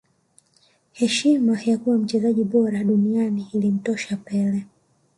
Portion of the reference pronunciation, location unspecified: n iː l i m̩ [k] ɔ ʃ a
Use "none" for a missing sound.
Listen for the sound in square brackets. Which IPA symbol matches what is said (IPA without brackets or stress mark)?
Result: t